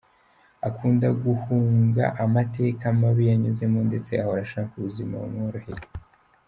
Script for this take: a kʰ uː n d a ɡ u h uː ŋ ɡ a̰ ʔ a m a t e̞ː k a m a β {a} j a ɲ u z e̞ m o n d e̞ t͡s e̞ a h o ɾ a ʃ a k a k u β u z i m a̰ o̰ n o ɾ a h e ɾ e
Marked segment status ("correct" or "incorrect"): incorrect